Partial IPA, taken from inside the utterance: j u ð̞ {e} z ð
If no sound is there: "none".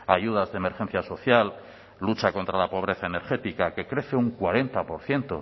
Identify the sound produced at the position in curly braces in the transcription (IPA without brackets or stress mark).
a